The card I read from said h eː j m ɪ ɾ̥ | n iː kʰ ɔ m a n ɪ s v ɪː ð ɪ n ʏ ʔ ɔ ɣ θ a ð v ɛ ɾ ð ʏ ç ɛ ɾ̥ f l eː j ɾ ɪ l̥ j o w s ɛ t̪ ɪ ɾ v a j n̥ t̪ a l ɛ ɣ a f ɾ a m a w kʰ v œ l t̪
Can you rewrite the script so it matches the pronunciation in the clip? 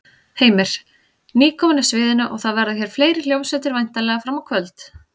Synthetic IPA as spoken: h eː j m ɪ ɾ̥ | n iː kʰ ɔ m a n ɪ s v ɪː ð ɪ n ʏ ʔ ɔ ɣ θ a ð v ɛ ɾ ð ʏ ç ɛ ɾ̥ f l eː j ɾ ɪ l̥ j o w s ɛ t̪ ɪ ɾ v a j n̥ t̪ a l ɛ ɣ a f ɾ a m a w kʰ v œ l t̪